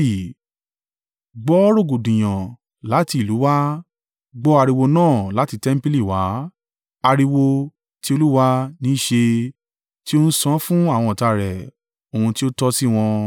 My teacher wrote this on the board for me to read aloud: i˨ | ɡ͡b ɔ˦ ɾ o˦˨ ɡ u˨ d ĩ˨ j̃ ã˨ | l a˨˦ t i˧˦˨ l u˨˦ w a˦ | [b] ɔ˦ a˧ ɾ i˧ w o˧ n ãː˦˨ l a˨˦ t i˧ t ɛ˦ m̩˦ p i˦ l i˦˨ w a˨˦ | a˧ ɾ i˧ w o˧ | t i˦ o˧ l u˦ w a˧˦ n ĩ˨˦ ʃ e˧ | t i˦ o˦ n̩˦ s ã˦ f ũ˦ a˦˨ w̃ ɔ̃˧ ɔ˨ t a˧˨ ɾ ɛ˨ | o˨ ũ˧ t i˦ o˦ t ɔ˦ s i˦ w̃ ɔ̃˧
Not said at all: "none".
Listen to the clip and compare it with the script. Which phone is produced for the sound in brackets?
ɡ͡b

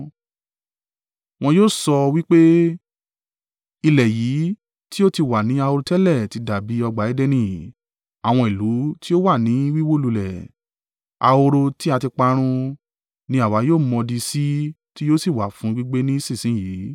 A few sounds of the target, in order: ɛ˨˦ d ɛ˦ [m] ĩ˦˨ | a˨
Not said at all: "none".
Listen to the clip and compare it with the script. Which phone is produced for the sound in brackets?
n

